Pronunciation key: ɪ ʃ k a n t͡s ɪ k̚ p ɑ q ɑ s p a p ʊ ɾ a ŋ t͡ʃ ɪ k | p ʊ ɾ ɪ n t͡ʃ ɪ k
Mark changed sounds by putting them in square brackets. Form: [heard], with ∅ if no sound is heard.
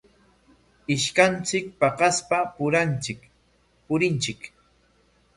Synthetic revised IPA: ɪ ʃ k a n t͡s ɪ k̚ p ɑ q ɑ s p a p ʊ ɾ a [n] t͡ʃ ɪ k | p ʊ ɾ ɪ n t͡ʃ ɪ k

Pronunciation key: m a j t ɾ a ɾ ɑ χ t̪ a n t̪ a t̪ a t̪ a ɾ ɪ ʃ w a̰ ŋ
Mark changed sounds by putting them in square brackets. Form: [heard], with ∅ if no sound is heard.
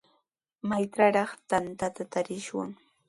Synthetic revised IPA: m a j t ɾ a ɾ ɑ χ t̪ a n t̪ a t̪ a t̪ a ɾ ɪ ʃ w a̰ ŋ

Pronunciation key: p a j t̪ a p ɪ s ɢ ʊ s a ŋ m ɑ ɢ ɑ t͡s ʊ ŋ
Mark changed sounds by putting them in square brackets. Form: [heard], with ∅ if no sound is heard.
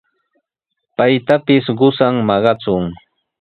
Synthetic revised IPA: p a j t̪ a p ɪ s ɢ ʊ s a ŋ m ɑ ɢ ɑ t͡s ʊ ŋ

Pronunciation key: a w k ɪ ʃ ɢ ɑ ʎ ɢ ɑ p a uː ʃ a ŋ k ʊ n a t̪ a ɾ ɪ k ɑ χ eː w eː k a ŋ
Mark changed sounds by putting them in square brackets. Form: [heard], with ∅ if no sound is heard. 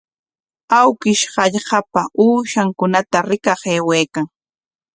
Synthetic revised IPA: a w k ɪ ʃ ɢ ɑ ʎ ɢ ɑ p a uː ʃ a ŋ k ʊ n a t̪ a ɾ ɪ k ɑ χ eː w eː k a ŋ

